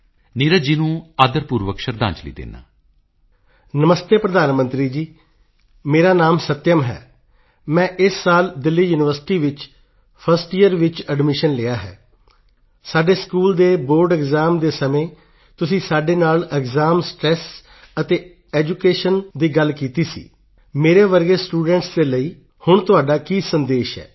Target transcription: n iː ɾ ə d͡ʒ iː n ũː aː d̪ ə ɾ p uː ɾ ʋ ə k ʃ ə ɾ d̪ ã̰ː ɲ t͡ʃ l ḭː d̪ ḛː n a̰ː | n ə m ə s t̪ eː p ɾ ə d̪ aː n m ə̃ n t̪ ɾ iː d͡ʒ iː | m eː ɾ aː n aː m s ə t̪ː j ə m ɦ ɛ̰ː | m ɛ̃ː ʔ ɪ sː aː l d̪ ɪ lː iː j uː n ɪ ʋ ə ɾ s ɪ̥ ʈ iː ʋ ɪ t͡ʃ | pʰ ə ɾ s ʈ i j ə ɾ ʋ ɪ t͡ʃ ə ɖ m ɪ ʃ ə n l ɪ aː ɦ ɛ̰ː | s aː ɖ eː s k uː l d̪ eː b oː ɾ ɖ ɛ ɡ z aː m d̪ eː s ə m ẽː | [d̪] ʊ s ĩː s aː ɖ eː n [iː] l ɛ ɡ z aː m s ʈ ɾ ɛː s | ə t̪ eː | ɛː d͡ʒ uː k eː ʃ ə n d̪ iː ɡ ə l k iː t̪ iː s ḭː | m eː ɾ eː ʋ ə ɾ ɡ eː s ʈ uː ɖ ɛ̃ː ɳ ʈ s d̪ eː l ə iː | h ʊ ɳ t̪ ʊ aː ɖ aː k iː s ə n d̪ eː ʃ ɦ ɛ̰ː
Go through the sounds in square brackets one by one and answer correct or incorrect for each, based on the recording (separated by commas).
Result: incorrect, incorrect